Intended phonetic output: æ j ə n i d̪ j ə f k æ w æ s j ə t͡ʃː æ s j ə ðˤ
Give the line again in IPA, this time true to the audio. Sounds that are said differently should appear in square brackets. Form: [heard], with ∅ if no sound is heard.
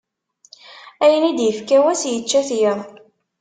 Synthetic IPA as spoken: æ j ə n i d̪ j ə f k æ w æ s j ə t͡ʃː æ [θ] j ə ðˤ